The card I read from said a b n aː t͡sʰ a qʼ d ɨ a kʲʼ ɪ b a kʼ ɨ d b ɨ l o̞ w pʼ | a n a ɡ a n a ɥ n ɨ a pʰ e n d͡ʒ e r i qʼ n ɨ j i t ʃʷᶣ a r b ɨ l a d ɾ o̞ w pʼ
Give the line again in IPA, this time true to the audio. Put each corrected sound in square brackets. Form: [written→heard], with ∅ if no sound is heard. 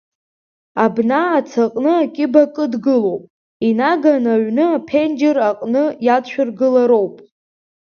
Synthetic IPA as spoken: a b n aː t͡sʰ a qʼ [d→n] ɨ a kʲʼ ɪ b a kʼ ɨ d [b→ɡ] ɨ l o̞ w pʼ | [a→i] n a ɡ a n a ɥ n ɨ a pʰ e n d͡ʒ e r [i→a] qʼ n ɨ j [i→a] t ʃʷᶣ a r [b→ɡ] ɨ l a [d→∅] ɾ o̞ w pʼ